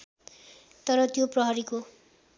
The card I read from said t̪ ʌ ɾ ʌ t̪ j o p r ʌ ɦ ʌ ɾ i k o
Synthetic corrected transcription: t̪ ʌ ɾ ʌ t̪ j o p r ʌ ɦ ʌ ɾ i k o